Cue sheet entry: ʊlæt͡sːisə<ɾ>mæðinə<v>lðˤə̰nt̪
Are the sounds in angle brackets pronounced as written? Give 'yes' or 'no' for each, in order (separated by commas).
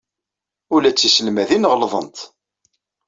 no, no